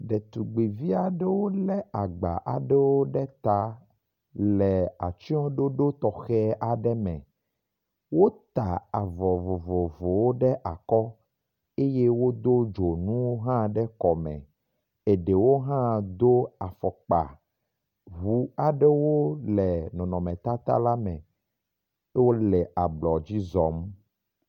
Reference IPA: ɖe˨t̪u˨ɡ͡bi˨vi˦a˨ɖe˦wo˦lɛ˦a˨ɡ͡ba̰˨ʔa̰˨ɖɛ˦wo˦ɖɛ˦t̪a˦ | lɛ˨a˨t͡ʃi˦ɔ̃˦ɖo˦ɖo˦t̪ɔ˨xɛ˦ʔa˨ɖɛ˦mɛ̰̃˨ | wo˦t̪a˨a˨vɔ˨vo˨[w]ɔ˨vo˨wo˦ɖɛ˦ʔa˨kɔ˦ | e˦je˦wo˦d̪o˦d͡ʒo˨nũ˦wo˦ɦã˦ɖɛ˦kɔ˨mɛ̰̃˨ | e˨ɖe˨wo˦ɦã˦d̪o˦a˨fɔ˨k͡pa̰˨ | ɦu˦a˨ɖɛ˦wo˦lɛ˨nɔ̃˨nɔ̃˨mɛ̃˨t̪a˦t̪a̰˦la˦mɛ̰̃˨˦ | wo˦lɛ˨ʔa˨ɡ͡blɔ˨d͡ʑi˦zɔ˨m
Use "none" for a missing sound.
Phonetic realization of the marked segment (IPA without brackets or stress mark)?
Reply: v